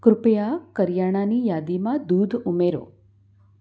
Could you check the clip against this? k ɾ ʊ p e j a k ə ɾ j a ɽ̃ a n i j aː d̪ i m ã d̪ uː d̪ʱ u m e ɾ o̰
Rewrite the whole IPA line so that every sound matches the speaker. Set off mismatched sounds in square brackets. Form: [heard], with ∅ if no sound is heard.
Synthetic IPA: k ɾ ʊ p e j a k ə ɾ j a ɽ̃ a n i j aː d̪ i m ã d̪ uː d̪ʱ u m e ɾ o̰